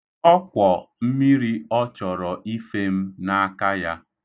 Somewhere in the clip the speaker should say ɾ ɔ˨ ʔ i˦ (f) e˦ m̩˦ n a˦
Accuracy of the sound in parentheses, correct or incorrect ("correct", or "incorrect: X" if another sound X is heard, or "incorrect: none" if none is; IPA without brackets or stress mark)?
correct